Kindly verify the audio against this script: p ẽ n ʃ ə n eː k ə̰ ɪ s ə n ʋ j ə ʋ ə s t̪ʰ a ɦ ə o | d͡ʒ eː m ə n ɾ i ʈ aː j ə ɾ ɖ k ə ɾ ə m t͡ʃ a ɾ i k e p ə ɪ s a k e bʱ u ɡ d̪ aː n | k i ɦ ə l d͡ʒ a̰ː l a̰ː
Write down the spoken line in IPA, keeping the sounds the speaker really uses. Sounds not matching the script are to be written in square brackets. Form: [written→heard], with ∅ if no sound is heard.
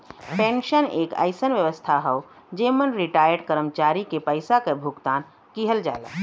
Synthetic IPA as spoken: p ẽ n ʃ ə n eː k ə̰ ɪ s ə n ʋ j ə ʋ ə s t̪ʰ a ɦ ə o | d͡ʒ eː m ə n ɾ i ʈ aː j ə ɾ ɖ k ə ɾ ə m t͡ʃ a ɾ i k e p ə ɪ s a k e bʱ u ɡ [d̪→t̪] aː n | k i ɦ ə l d͡ʒ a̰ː l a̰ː

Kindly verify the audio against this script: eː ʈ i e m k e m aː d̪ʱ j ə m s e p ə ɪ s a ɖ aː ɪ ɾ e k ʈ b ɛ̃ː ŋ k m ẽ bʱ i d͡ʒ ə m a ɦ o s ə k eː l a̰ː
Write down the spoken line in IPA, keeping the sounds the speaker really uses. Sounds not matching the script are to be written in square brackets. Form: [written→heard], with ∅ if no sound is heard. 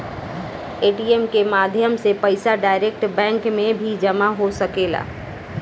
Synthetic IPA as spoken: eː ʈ i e m k e m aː d̪ʱ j ə m s e p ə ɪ s a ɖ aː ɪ ɾ e k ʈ b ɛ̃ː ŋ k m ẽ bʱ i d͡ʒ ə m a ɦ o s ə k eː l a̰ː

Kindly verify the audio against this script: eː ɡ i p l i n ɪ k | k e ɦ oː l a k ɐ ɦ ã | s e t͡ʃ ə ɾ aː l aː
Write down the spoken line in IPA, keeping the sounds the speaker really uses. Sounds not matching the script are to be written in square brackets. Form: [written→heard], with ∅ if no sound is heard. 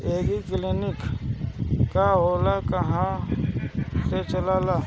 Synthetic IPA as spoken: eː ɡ i [p→k] l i n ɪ k | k [e→a] ɦ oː l a k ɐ ɦ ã | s e t͡ʃ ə [ɾ→l] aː l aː

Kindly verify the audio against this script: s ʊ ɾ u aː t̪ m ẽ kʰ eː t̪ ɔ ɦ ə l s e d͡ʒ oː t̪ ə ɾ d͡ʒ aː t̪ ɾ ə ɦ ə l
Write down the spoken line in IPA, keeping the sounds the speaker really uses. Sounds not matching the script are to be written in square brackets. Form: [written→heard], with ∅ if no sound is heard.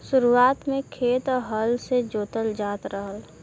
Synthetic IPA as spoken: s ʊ ɾ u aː t̪ m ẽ kʰ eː t̪ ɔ ɦ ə l s e d͡ʒ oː t̪ ə [ɾ→l] d͡ʒ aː t̪ ɾ ə ɦ ə l

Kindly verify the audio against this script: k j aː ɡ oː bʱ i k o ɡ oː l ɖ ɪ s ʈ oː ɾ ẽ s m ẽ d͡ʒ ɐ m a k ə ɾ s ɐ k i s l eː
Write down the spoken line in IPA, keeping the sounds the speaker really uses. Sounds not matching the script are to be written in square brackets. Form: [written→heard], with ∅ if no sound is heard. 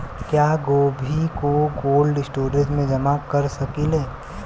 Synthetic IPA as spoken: k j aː ɡ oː bʱ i k o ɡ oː l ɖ ɪ s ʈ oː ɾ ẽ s m ẽ d͡ʒ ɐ m a k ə ɾ s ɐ k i [s→∅] l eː

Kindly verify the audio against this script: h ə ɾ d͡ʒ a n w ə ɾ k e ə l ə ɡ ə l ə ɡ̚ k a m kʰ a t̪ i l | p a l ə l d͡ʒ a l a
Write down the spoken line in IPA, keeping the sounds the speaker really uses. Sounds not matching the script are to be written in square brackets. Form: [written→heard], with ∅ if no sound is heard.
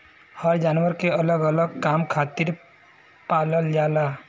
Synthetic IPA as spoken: h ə ɾ d͡ʒ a n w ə ɾ k e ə l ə ɡ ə l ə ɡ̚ k a m kʰ a t̪ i [l→ɾ] | p a l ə l d͡ʒ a l a

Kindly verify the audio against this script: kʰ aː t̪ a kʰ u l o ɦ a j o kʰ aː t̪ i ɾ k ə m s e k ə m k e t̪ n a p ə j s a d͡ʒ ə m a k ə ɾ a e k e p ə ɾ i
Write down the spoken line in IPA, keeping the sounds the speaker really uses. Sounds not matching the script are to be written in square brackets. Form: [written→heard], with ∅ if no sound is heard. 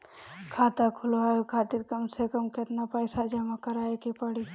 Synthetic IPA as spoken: kʰ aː t̪ a kʰ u l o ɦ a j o kʰ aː t̪ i ɾ k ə m s e k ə m k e t̪ n a p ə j s a d͡ʒ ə m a k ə ɾ a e k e p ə [ɾ→ɽ] i

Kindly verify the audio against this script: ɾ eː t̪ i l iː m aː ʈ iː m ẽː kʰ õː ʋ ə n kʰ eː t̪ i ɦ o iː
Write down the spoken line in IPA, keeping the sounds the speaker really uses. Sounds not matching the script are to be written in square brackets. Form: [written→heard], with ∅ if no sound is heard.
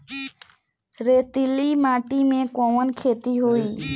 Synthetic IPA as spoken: ɾ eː t̪ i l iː m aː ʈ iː m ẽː [kʰ→k] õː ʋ ə n kʰ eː t̪ i ɦ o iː

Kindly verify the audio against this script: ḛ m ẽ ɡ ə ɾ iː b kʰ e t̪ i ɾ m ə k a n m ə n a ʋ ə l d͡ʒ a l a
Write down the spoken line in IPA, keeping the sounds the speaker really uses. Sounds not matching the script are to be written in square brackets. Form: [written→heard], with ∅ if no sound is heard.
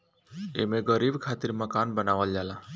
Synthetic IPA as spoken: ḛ m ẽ ɡ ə ɾ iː b kʰ [e→a] t̪ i ɾ m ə k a n [m→b] ə n a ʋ ə l d͡ʒ a l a

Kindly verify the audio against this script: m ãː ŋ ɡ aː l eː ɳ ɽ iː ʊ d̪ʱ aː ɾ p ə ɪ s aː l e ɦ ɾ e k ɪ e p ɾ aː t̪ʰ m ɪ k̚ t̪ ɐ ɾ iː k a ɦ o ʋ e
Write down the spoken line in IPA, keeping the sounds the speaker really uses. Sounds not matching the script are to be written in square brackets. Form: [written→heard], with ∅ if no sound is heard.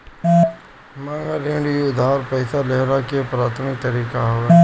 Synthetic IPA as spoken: m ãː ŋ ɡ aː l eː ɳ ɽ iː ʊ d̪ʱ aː ɾ p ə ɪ s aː l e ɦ ɾ [e→a] k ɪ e p ɾ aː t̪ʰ m ɪ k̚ t̪ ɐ ɾ iː k a ɦ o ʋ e

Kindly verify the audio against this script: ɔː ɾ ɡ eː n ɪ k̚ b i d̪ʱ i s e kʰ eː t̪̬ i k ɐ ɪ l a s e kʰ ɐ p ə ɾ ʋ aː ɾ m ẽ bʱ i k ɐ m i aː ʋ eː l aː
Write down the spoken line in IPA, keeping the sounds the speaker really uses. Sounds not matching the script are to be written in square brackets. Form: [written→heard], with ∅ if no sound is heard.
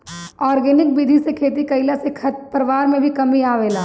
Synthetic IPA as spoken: ɔː ɾ ɡ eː n ɪ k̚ b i d̪ʱ i s e kʰ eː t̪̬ i k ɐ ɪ l a s e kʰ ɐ p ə ɾ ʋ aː ɾ m ẽ bʱ i k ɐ m i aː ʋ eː l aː

